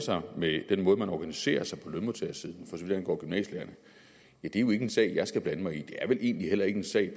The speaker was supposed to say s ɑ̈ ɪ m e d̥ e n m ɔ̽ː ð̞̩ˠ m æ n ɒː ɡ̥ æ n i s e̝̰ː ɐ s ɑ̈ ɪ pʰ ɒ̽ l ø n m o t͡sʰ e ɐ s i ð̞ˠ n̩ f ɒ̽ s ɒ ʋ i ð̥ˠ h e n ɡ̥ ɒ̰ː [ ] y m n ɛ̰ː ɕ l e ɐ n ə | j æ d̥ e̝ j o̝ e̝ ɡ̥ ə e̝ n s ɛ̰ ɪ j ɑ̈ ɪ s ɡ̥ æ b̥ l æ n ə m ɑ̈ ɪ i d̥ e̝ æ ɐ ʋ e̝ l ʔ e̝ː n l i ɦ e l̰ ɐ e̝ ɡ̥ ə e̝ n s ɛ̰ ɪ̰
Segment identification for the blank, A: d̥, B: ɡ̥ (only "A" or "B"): B